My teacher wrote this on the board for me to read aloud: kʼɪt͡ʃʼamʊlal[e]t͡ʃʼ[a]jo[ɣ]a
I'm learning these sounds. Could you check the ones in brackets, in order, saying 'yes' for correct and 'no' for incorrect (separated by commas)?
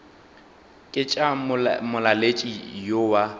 yes, no, no